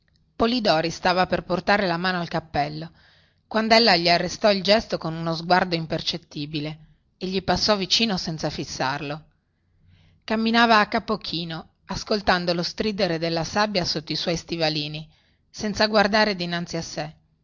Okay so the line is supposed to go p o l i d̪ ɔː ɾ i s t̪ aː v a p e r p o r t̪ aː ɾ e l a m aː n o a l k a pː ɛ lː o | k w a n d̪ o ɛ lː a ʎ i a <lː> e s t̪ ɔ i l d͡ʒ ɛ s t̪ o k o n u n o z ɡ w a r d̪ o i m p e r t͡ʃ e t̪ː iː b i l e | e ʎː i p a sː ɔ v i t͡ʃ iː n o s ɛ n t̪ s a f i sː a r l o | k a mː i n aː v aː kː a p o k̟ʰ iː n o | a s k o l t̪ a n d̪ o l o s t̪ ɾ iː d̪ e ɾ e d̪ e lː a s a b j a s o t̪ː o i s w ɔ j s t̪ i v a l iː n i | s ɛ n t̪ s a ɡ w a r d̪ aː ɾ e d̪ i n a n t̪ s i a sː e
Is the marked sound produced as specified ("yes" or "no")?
no